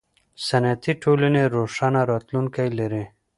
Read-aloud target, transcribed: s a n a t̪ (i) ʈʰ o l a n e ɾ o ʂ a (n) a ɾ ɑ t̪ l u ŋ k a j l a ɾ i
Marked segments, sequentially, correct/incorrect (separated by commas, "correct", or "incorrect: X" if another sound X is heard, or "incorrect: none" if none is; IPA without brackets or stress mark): correct, correct